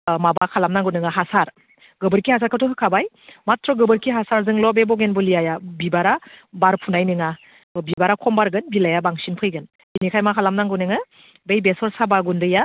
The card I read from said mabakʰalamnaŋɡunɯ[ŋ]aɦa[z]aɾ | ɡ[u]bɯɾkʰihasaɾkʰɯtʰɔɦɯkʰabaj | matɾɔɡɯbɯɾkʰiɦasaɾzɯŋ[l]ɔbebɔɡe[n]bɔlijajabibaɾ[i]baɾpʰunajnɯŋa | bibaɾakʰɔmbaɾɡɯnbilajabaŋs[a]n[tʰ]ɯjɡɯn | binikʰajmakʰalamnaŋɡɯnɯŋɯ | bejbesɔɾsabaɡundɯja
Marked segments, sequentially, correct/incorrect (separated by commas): correct, incorrect, incorrect, correct, correct, incorrect, incorrect, incorrect